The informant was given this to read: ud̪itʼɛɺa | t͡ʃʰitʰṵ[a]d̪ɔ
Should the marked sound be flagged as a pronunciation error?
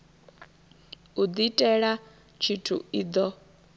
yes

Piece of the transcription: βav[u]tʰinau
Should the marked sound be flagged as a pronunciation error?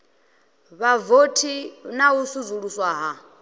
yes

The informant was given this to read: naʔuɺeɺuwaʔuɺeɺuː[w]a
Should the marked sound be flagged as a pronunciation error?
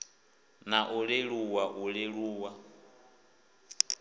no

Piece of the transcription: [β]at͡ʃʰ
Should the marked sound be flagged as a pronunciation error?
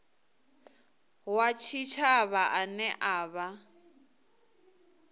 yes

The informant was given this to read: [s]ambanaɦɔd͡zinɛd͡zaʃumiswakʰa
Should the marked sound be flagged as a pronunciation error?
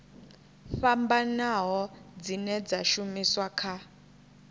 yes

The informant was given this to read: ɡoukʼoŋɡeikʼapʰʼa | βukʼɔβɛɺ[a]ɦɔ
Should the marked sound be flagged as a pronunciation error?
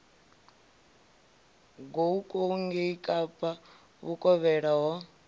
no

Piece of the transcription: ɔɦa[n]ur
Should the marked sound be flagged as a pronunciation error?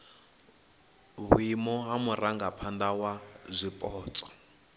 yes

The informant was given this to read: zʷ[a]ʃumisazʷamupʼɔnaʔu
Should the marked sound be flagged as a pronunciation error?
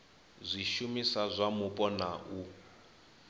yes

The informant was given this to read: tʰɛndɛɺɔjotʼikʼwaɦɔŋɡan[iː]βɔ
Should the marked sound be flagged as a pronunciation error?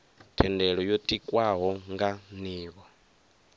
no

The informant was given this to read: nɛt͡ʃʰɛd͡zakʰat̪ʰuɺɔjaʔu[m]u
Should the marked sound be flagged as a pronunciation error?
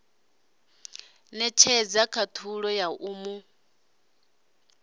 no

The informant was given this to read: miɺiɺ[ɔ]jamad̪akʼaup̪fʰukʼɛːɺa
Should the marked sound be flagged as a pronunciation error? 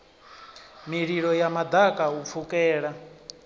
no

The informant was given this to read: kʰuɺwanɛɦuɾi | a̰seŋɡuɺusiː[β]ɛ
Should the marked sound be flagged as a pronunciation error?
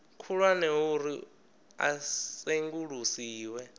yes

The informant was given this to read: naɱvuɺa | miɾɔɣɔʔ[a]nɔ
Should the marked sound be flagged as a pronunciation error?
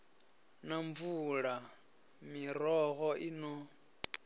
yes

